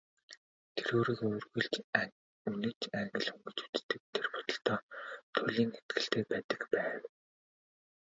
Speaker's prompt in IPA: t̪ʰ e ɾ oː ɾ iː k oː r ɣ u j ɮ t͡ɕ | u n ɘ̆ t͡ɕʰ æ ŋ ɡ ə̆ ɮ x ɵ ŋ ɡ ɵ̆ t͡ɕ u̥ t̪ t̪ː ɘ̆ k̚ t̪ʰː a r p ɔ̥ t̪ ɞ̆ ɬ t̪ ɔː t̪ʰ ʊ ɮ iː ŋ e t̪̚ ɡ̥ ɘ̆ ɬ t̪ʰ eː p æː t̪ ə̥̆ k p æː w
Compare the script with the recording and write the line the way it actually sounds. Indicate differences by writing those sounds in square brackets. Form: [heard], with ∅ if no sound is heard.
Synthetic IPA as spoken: t̪ʰ e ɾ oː ɾ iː k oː r ɣ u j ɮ t͡ɕ | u n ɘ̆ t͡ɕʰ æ ŋ ɡ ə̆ ɮ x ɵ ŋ ɡ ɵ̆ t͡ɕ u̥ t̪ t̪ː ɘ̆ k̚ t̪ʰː [e] r p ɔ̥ t̪ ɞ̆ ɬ t̪ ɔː t̪ʰ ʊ ɮ iː ŋ e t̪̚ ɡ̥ ɘ̆ ɬ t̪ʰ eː p æː t̪ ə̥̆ k p æː w

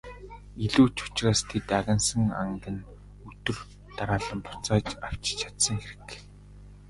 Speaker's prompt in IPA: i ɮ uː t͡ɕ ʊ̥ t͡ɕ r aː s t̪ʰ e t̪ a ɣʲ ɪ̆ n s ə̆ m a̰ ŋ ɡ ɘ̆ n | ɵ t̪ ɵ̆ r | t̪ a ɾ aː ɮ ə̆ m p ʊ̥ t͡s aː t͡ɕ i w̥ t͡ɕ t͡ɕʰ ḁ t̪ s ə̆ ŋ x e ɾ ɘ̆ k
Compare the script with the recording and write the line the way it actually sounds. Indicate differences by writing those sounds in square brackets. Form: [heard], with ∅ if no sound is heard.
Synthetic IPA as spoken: i ɮ uː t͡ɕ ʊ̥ t͡ɕ r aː s t̪ʰ e t̪ a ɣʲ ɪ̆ n s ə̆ [ŋ] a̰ ŋ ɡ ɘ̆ n | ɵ t̪ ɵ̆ r | t̪ a ɾ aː ɮ ə̆ m p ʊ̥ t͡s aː t͡ɕ [a] w̥ t͡ɕ t͡ɕʰ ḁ t̪ s ə̆ ŋ x e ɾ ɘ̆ k

